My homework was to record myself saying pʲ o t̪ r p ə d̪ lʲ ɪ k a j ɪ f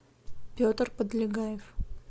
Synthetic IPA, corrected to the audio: pʲ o t̪ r p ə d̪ lʲ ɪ ɡ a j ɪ f

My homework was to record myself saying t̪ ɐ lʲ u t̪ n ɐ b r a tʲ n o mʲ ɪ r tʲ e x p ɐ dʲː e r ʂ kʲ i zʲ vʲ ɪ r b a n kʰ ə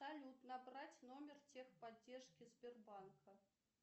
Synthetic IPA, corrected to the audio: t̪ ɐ lʲ u t̪ n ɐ b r a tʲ n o mʲ ɪ r tʲ e x p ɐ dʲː e r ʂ kʲ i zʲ bʲ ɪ r b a n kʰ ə

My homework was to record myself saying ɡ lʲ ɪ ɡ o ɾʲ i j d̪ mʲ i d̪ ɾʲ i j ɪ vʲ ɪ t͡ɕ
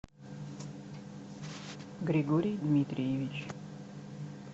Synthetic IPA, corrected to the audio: ɡ ɾʲ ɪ ɡ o ɾʲ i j d̪ mʲ i t̪ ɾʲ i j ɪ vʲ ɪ t͡ɕ

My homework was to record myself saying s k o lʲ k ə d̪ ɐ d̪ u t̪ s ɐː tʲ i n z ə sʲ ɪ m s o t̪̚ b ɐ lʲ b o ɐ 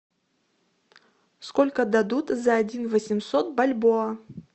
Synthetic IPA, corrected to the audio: s k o lʲ k ə d̪ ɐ d̪ u t̪ z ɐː dʲ i n v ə sʲ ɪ m s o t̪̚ b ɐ lʲ b o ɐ

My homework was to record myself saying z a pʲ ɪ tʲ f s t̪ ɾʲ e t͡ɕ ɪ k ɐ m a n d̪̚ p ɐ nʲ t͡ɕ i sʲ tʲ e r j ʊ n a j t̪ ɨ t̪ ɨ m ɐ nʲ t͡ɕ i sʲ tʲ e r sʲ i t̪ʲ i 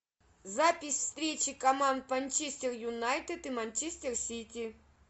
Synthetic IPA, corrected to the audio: z a pʲ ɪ sʲ f s t̪ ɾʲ e t͡ɕ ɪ k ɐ m a n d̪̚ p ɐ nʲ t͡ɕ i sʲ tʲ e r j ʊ n a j t̪ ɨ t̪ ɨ m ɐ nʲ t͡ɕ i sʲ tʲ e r sʲ i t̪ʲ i

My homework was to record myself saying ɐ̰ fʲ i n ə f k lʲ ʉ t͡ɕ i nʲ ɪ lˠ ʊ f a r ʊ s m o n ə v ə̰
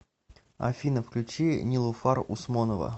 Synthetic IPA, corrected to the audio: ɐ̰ fʲ i n ə f k lʲ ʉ t͡ɕ i nʲ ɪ lˠ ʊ f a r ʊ s m o n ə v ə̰

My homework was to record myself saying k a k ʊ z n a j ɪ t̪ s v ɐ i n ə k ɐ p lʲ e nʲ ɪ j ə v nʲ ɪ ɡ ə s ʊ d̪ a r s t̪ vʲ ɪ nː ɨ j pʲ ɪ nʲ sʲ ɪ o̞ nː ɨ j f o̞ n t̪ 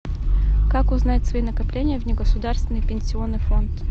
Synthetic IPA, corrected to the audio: k a k ʊ z n a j ɪ t̪ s v ɐ i n ə k ɐ p lʲ e nʲ ɪ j ə v nʲ ɪ ɡ ə s ʊ d̪ a r s t̪ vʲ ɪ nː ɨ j pʲ ɪ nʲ sʲ ɪ o̞ nː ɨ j f o̞ n t̪

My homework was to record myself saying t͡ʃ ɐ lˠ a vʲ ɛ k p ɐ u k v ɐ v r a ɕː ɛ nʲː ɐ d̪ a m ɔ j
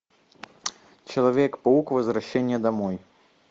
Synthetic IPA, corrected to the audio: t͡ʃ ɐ lˠ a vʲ ɛ k p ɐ u k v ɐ z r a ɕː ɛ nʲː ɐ d̪ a m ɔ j

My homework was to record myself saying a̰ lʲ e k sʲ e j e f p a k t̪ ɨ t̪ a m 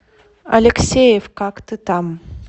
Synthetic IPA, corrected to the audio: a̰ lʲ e k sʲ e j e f k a k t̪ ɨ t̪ a m

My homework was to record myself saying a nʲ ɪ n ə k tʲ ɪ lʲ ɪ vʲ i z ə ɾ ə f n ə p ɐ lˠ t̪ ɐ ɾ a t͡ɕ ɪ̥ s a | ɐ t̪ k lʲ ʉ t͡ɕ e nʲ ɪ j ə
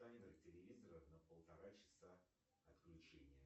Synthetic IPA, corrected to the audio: a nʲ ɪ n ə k tʲ ɪ lʲ ɪ vʲ i z ə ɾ ə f n ə p ə lˠ t̪ ɐ ɾ a t͡ɕ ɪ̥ s a | ɐ t̪ k lʲ ʉ t͡ɕ e nʲ ɪ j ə

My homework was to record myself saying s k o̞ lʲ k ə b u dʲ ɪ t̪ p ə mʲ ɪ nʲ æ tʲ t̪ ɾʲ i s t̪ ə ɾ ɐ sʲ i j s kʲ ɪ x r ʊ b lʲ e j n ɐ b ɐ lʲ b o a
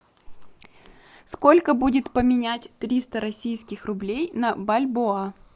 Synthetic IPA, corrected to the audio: s k o̞ lʲ k ə b u dʲ ɪ t̪ p ə mʲ ɪ nʲ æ tʲ t̪ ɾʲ i s t̪ ə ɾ ɐ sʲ i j s kʲ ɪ x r ʊ b lʲ e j n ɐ b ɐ lʲ b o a

